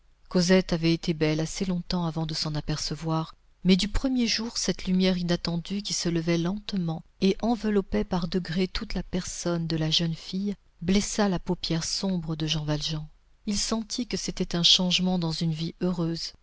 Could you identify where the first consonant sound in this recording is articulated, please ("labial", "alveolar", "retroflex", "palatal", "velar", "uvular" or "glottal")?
velar